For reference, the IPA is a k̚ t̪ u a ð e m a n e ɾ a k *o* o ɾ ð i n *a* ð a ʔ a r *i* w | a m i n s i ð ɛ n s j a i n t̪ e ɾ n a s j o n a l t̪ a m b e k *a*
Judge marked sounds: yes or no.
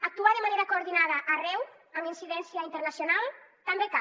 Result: yes, yes, no, yes

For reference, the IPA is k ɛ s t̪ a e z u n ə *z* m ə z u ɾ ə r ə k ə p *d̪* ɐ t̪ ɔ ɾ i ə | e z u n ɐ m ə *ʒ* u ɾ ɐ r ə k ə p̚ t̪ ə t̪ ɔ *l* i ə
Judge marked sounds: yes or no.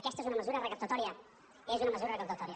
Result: no, no, no, no

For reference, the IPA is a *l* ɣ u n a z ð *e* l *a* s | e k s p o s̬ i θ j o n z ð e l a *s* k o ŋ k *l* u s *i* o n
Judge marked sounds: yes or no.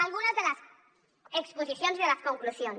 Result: yes, yes, yes, yes, yes, no

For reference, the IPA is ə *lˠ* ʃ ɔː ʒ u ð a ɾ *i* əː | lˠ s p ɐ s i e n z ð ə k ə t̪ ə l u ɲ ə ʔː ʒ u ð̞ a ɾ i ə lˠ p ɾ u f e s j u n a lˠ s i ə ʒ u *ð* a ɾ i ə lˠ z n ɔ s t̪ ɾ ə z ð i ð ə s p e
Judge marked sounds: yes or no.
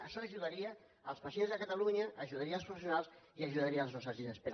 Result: no, yes, yes

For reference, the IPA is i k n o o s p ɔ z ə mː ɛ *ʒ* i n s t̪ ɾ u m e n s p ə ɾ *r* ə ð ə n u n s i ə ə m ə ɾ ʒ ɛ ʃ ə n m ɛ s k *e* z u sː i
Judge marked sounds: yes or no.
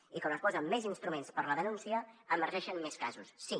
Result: no, no, no

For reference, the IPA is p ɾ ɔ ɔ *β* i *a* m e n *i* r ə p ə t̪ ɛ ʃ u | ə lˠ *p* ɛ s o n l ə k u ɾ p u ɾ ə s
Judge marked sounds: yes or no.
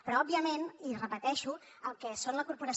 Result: no, no, yes, no

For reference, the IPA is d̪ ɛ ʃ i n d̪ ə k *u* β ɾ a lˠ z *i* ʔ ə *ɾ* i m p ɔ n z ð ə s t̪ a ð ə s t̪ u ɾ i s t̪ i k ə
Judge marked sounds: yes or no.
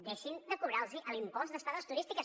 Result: yes, yes, no

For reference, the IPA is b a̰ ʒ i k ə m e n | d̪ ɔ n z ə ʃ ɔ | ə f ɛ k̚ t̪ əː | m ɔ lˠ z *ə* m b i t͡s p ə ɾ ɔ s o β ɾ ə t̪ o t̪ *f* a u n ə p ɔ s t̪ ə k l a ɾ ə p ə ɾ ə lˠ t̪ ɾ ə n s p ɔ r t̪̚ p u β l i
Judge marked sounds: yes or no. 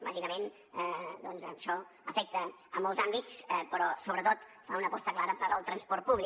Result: no, yes

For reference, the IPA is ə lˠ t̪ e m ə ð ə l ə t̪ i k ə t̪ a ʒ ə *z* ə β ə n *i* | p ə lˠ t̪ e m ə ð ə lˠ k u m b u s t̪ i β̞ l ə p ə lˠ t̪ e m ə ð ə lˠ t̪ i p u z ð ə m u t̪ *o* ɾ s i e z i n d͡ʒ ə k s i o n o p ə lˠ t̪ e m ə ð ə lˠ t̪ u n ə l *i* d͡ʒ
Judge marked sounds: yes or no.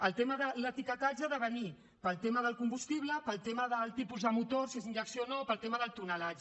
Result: no, yes, yes, no

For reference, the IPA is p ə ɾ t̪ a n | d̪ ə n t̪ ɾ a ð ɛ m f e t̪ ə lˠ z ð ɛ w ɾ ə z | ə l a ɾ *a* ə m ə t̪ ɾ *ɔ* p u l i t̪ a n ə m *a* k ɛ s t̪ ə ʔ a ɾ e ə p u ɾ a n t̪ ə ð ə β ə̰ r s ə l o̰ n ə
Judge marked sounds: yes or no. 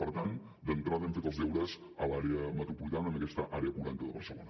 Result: no, no, no

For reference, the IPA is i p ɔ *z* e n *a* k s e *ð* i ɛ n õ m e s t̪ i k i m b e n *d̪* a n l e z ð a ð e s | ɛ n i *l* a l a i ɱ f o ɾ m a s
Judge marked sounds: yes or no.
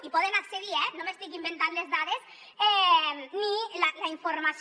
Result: no, yes, yes, no, yes

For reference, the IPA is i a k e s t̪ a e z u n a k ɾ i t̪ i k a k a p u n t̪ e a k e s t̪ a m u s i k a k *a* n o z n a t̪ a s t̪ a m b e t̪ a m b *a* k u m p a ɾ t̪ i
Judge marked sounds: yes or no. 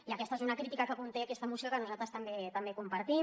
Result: yes, no

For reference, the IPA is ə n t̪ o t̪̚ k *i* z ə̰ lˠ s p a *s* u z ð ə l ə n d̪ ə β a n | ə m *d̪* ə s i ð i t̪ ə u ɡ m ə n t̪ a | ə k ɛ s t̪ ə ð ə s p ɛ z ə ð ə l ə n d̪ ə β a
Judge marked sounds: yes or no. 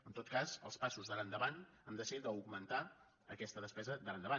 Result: no, yes, yes

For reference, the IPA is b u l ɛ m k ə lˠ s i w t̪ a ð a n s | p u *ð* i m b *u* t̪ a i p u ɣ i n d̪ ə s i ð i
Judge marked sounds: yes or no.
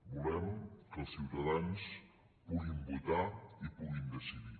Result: no, yes

